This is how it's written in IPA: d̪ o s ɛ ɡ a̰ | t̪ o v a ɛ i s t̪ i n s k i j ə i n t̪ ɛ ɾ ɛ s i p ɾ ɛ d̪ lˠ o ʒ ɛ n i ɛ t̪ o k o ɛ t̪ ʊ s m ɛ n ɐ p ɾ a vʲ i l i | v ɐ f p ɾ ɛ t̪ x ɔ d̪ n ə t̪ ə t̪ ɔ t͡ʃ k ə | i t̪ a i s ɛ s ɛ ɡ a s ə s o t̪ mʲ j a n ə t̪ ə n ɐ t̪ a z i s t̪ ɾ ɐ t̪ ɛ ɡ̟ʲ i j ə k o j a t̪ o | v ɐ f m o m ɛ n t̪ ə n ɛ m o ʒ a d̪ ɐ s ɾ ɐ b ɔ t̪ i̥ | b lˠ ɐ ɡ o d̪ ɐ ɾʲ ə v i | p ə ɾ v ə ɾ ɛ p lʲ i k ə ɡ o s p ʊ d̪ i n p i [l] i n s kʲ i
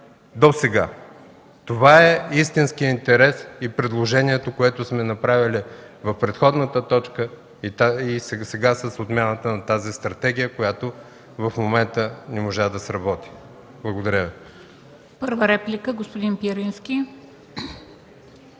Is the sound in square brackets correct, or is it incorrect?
incorrect